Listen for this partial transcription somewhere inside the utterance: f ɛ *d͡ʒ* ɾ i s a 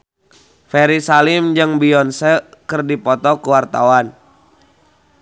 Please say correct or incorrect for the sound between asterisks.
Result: incorrect